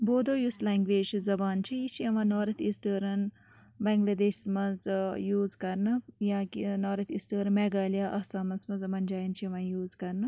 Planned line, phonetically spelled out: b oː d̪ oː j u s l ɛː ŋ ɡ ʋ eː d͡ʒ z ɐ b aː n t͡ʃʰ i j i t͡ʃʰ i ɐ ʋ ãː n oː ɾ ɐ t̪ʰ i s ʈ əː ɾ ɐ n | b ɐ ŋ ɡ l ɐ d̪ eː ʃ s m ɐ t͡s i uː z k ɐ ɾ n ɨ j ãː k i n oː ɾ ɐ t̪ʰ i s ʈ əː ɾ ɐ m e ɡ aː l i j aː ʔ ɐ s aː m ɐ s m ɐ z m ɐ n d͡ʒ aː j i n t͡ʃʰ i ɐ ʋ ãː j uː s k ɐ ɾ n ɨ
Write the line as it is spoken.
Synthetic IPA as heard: b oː d̪ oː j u s l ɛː ŋ ɡ ʋ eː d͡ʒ z ɐ b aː n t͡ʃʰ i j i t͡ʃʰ i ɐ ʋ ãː n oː ɾ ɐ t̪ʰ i s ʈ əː ɾ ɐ n | b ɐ ŋ ɡ l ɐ d̪ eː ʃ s m ɐ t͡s j uː z k ɐ ɾ n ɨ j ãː k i n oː ɾ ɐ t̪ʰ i s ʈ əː ɾ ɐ m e ɡ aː l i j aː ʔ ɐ s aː m ɐ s m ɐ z m ɐ n d͡ʒ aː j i n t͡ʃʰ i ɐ ʋ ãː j uː z k ɐ ɾ n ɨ

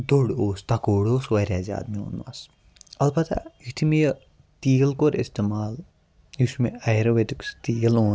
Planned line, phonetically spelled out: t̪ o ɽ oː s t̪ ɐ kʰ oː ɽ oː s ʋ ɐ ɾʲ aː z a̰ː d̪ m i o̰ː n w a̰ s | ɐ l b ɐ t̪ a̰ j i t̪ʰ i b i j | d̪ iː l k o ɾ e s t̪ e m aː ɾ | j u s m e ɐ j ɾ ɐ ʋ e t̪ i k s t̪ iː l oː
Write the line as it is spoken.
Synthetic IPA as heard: d̪ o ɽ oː s t̪ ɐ k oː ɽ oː s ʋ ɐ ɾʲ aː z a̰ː d̪ m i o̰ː n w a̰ s | ɐ l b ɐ t̪ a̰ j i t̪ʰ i m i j | t̪ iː l k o ɾ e s t̪ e m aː l | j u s m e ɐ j ɾ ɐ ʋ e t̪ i k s t̪ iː l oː

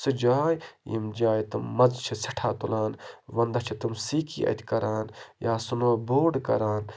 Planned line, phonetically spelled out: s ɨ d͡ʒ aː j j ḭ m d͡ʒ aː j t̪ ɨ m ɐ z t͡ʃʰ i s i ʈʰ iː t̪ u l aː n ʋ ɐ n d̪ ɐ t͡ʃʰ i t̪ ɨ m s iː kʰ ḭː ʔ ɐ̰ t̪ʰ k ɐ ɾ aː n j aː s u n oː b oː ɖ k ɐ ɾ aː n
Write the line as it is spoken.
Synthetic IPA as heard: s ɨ d͡ʒ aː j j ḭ m d͡ʒ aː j t̪ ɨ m ɐ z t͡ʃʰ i s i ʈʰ aː t̪ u l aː n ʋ ɐ n d̪ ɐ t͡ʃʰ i t̪ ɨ m s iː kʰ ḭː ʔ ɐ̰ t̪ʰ k ɐ ɾ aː n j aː s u n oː b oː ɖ k ɐ ɾ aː n

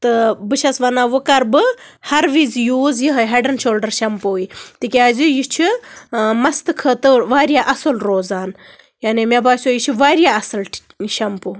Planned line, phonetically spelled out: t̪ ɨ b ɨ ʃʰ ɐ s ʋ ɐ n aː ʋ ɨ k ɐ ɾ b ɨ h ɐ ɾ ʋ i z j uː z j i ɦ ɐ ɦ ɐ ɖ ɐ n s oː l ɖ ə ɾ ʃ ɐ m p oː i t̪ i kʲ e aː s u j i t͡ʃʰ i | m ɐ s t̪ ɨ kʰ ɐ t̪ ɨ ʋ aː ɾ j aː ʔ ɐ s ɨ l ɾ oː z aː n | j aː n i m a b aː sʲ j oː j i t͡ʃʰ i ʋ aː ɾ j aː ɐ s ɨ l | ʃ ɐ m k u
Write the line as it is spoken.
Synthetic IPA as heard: t̪ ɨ b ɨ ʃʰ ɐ s ʋ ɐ n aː ʋ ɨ k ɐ ɾ b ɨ h ɐ ɾ ʋ i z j uː z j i ɦ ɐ ɦ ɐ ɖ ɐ n ʃ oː l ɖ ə ɾ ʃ ɐ m p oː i t̪ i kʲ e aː z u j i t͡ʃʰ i | m ɐ s t̪ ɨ kʰ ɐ t̪ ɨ ʋ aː ɾ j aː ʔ ɐ s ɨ l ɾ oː z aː n | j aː n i m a b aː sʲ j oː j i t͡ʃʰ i ʋ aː ɾ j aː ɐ s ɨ l | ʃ ɐ m p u

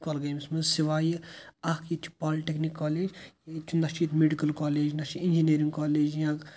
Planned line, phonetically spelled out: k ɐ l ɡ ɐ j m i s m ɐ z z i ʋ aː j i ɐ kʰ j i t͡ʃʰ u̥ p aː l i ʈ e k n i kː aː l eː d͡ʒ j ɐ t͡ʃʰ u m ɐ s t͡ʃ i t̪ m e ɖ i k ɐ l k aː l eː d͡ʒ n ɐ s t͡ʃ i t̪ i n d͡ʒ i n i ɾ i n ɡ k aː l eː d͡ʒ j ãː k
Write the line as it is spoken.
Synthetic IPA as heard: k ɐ l ɡ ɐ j m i s m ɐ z s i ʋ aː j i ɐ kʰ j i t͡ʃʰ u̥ p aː l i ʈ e k n i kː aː l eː d͡ʒ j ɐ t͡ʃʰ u n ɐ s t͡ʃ i t̪ m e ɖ i k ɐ l k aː l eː d͡ʒ n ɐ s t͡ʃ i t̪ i n d͡ʒ i n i ɾ i ŋ ɡ k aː l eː d͡ʒ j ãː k

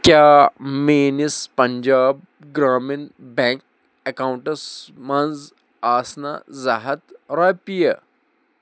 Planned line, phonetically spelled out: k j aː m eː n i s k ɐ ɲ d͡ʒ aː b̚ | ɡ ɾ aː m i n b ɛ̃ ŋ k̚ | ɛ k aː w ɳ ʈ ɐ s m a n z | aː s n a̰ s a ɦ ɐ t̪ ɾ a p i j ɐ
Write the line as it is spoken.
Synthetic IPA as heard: k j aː m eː n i s p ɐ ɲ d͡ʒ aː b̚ | ɡ ɾ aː m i n b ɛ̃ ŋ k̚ | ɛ k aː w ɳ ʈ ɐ s m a n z | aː s n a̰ z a ɦ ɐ t̪ ɾ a p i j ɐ

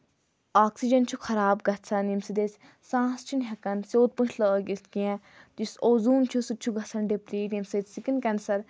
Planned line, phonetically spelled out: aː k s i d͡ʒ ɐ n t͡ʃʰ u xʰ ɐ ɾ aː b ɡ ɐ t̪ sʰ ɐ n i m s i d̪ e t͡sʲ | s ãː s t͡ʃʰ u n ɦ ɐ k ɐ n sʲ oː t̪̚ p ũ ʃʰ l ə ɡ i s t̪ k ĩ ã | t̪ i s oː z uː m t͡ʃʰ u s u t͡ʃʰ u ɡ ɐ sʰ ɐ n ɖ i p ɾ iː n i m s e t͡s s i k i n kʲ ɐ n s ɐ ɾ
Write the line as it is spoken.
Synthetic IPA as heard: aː k s i d͡ʒ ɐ n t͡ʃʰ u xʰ ɐ ɾ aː b ɡ ɐ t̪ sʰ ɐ n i m s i d̪ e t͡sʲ | s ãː s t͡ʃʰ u n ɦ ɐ k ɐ n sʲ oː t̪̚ p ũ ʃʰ l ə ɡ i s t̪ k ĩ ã | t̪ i s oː z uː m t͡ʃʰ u s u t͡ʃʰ u ɡ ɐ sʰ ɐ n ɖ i p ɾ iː n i m s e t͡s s i k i n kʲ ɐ n s ɐ ɾ

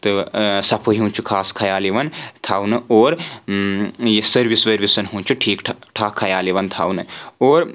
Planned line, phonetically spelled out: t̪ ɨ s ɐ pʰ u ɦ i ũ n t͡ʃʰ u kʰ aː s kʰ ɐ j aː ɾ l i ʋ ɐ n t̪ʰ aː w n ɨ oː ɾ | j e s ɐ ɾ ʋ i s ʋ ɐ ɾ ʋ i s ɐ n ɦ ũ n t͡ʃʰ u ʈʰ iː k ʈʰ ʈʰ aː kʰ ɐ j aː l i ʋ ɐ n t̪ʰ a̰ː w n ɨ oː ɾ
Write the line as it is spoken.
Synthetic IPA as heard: t̪ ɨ s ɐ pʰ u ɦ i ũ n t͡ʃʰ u kʰ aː s kʰ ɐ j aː l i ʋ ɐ n t̪ʰ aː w n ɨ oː ɾ | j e s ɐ ɾ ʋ i s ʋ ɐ ɾ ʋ i s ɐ n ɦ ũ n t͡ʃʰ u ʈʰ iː k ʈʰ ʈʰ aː kʰ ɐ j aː l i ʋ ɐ n t̪ʰ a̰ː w n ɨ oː ɾ

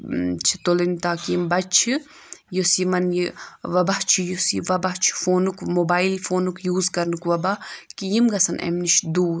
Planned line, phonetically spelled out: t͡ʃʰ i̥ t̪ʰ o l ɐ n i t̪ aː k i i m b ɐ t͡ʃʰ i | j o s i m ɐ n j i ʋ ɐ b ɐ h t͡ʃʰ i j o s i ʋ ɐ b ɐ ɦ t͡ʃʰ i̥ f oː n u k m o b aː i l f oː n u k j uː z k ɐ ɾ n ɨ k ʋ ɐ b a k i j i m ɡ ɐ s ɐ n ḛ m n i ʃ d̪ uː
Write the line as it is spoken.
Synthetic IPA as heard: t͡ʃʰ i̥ t̪ o l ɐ n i t̪ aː k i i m b ɐ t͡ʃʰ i | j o s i m ɐ n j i ʋ ɐ b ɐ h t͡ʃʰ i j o s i ʋ ɐ b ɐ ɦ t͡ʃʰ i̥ f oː n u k m o b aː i l f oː n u k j uː z k ɐ ɾ n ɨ k ʋ ɐ b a k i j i m ɡ ɐ s ɐ n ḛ m n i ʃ d̪ uː

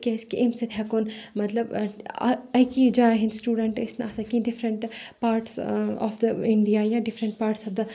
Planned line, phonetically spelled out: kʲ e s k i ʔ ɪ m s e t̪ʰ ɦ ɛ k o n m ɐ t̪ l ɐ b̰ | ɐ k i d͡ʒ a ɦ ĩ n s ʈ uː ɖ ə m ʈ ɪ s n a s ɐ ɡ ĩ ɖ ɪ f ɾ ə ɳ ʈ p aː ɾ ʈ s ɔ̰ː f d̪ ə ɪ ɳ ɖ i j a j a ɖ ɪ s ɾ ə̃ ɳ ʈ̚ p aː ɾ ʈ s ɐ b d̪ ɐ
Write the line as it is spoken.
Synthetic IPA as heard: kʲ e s k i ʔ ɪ m s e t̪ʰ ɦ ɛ k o n m ɐ t̪ l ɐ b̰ | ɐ k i d͡ʒ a ɦ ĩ n s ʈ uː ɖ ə ɳ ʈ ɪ s n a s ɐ k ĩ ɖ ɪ f ɾ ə ɳ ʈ p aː ɾ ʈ s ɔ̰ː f d̪ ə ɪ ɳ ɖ i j a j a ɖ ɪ f ɾ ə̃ ɳ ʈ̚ p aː ɾ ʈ s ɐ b d̪ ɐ

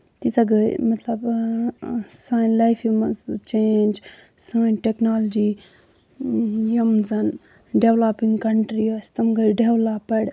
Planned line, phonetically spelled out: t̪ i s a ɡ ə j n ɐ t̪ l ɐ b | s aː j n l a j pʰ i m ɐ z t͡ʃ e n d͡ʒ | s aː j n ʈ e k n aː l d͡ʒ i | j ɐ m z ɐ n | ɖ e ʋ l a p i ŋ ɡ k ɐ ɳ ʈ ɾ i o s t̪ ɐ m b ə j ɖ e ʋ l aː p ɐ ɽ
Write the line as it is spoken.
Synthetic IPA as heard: t̪ i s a ɡ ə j m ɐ t̪ l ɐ b | s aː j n l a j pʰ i m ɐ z t͡ʃ e n d͡ʒ | s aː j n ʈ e k n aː l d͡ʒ i | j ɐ m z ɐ n | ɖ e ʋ l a p i ŋ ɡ k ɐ ɳ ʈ ɾ i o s t̪ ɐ m ɡ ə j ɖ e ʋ l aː p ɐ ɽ

